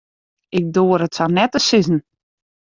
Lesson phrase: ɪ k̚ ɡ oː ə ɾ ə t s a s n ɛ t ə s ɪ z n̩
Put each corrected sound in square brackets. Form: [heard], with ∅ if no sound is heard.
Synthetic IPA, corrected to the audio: ɪ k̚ [d] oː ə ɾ ə t s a [∅] n ɛ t ə s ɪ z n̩

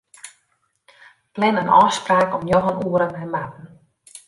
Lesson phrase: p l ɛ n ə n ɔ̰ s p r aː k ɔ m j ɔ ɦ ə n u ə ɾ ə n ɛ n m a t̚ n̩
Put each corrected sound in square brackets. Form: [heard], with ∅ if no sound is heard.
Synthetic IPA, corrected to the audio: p l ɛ n ə n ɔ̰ s p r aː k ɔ m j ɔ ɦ ə n u ə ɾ ə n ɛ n m a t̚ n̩

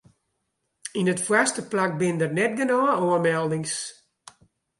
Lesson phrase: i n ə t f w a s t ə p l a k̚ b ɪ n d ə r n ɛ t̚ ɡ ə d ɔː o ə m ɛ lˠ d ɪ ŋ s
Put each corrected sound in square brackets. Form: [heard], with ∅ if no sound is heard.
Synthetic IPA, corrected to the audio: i n ə t f w a s t ə p l a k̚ b ɪ n d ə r n ɛ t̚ ɡ ə [n] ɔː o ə m ɛ lˠ d ɪ ŋ s

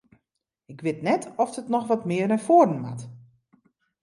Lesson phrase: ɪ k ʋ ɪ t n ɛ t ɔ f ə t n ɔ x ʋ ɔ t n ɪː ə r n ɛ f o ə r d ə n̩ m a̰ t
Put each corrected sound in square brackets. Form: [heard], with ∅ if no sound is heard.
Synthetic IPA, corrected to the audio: ɪ k ʋ ɪ t n ɛ t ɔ f ə t n ɔ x ʋ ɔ t [m] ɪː ə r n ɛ f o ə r d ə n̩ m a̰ t

